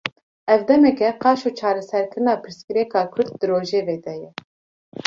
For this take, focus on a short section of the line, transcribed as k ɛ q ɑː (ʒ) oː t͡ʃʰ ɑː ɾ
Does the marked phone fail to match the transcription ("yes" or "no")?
yes